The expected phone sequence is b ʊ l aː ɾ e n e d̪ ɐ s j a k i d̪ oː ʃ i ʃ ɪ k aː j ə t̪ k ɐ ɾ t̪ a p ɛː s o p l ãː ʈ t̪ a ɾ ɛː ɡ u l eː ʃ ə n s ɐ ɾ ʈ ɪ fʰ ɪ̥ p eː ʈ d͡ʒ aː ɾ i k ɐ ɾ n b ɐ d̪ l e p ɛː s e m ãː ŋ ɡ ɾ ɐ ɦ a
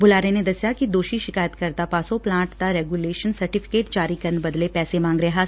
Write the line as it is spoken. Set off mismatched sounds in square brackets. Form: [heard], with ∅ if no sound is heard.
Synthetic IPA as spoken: b ʊ l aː ɾ e n e d̪ ɐ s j a k i d̪ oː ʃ i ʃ ɪ k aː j ə t̪ k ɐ ɾ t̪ a p [aː] s o p l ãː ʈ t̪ a ɾ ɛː ɡ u l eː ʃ ə n s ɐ ɾ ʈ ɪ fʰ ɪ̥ [k] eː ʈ d͡ʒ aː ɾ i k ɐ ɾ n b ɐ d̪ l e p ɛː s e m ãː ŋ ɡ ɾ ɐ ɦ a